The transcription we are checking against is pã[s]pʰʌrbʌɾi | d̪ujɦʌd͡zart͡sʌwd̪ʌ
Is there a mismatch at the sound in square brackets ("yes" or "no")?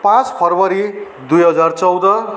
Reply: yes